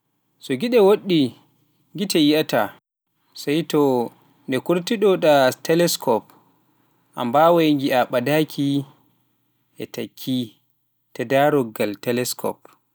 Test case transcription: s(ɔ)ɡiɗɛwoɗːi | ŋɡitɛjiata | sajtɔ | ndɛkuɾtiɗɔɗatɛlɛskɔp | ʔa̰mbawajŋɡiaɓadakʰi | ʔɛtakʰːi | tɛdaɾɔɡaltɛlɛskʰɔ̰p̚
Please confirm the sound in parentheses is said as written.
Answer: yes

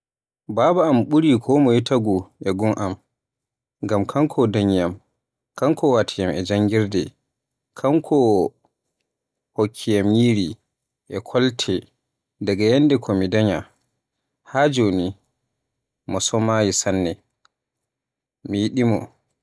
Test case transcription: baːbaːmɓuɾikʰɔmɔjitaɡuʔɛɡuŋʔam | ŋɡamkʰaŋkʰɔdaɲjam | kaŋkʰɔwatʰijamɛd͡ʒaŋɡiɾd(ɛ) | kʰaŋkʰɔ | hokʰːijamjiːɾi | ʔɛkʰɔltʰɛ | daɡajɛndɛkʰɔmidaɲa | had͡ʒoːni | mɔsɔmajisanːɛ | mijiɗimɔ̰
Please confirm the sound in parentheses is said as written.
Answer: yes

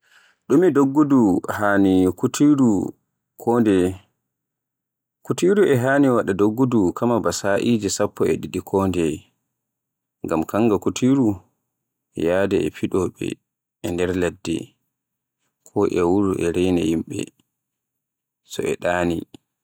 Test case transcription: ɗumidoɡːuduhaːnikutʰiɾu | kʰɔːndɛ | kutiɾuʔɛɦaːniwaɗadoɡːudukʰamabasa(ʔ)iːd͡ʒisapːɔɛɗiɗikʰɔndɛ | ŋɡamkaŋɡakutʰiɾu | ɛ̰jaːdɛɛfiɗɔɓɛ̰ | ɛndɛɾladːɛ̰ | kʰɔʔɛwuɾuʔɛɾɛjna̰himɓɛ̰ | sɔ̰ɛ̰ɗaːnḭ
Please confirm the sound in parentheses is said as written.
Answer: yes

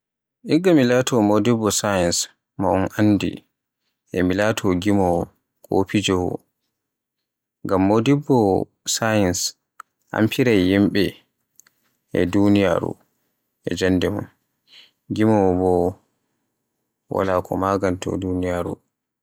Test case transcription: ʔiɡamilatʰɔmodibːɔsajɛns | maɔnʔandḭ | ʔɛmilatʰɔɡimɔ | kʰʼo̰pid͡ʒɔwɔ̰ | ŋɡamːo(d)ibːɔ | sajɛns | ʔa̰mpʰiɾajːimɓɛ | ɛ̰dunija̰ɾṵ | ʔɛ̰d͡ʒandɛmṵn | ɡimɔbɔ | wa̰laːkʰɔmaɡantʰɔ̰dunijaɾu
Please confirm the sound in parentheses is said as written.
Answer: yes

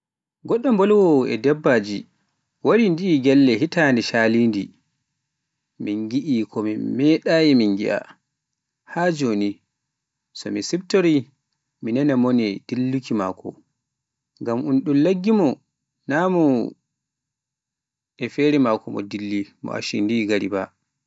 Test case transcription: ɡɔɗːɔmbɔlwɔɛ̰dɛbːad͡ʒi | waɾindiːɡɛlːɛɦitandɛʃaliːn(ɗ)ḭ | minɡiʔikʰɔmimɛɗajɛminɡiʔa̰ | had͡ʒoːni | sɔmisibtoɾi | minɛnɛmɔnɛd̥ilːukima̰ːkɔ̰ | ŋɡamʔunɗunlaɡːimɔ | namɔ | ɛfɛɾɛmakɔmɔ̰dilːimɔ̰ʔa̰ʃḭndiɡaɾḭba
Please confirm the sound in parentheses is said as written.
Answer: no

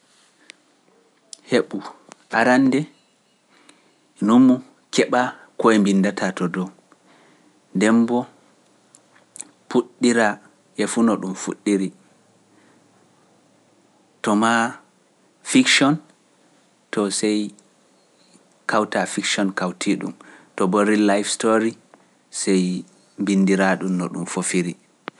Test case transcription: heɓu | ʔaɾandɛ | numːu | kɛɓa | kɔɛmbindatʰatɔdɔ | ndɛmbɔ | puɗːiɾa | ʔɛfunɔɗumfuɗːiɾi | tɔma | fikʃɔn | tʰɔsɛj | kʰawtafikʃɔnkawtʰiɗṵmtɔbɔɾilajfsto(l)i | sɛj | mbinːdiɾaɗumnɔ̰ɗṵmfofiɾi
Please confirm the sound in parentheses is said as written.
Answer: no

